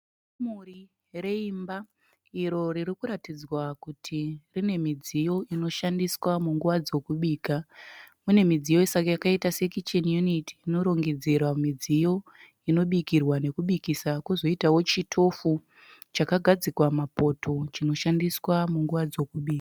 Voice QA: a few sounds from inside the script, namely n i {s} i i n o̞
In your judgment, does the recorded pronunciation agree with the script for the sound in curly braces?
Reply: no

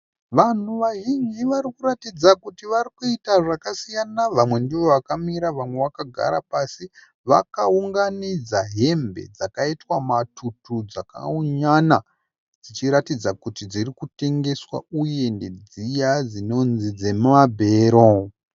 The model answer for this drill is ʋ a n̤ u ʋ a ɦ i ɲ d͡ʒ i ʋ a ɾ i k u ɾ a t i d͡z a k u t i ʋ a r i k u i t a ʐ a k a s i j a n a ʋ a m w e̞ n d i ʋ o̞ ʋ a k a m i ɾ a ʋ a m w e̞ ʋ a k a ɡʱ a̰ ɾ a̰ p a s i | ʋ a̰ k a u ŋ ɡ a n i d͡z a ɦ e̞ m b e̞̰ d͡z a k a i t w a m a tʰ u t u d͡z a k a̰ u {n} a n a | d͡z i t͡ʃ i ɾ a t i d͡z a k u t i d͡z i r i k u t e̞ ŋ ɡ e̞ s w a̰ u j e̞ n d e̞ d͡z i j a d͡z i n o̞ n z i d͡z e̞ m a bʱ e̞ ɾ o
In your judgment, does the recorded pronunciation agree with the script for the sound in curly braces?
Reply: no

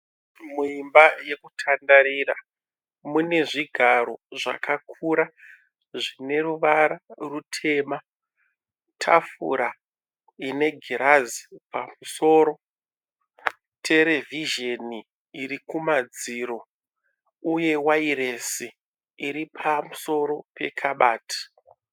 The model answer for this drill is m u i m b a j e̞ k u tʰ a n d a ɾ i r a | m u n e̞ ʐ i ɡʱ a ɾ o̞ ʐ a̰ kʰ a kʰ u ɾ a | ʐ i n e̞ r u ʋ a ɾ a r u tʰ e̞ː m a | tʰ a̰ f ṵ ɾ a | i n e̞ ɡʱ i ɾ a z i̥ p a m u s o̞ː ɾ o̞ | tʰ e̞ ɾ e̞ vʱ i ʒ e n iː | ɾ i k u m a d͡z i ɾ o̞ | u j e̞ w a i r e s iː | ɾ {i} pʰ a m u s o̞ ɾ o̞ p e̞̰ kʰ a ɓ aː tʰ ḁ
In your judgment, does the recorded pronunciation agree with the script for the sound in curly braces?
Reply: yes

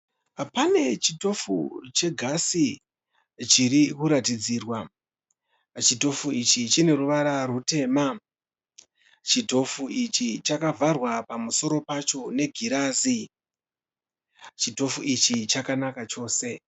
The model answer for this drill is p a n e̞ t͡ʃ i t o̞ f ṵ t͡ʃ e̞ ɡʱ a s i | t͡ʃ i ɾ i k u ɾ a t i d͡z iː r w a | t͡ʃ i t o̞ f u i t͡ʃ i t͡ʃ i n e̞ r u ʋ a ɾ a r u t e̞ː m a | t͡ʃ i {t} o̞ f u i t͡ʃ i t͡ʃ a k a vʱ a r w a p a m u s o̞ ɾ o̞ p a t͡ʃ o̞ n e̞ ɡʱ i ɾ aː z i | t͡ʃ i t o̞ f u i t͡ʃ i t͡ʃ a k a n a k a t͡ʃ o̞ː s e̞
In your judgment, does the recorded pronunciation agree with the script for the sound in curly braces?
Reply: yes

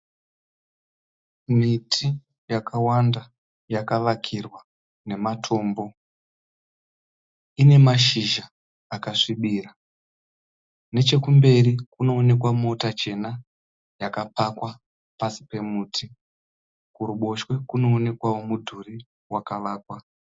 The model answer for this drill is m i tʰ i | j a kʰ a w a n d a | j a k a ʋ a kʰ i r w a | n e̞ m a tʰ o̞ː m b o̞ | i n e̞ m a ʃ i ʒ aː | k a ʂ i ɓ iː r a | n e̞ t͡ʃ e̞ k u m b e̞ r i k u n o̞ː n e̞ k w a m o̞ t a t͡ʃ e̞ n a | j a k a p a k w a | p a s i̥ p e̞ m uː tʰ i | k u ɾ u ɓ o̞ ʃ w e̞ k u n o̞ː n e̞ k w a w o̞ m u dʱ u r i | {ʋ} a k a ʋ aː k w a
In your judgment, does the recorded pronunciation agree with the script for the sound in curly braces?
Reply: no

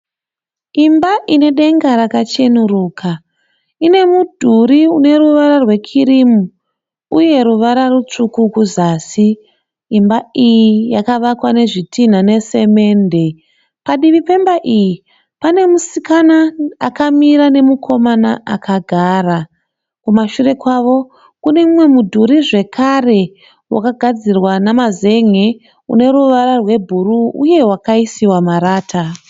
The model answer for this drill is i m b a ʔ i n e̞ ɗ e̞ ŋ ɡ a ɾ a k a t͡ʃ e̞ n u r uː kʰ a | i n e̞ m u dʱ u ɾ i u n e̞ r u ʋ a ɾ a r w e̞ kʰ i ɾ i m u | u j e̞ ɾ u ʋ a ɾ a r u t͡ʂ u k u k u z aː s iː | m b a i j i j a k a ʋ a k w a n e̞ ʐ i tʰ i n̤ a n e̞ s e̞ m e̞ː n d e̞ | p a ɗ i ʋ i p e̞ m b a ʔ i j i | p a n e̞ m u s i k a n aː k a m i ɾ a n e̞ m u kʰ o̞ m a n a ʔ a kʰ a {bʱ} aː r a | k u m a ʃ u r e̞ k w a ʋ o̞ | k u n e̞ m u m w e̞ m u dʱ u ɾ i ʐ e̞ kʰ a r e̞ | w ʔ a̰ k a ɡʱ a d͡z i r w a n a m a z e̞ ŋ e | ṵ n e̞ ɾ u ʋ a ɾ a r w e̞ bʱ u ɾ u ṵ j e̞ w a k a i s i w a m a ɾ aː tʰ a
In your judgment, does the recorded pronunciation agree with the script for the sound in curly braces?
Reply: no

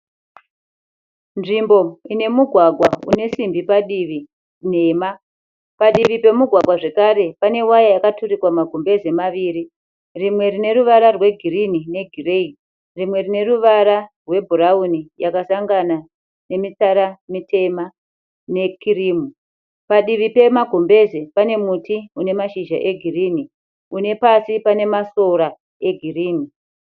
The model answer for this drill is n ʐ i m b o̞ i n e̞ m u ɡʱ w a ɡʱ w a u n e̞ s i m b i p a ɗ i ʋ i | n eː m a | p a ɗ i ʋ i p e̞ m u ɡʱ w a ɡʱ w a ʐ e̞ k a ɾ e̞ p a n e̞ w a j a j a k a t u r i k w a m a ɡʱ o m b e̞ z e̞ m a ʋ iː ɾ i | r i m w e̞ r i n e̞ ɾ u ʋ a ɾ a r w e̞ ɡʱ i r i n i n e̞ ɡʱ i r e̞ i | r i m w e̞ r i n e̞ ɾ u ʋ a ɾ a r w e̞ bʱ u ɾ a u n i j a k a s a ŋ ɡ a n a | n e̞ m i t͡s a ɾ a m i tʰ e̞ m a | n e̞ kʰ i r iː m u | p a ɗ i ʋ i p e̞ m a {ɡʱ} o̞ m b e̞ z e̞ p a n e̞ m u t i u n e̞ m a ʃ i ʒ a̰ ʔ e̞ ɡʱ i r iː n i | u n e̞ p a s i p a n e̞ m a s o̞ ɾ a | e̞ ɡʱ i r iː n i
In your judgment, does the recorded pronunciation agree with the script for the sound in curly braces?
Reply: yes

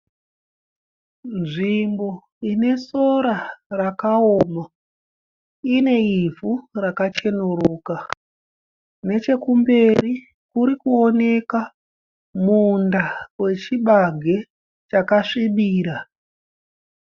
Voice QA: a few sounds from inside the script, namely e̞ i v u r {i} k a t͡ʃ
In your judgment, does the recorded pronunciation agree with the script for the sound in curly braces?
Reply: no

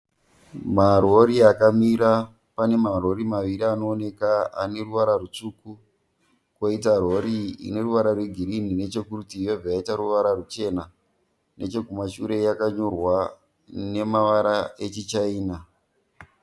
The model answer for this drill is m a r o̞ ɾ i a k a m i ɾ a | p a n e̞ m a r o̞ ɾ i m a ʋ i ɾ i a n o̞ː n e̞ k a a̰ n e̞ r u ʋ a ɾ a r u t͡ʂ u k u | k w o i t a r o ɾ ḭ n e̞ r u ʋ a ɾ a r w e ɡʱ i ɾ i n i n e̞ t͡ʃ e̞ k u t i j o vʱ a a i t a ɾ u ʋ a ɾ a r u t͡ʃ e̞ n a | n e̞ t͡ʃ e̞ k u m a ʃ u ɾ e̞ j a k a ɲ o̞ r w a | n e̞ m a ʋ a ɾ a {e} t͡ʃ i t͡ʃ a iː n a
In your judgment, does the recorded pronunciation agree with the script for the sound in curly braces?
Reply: yes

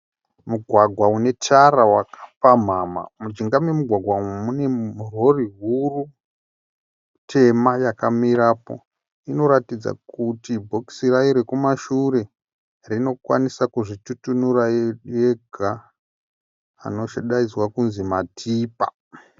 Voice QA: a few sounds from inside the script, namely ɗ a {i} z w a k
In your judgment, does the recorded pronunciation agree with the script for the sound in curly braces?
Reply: yes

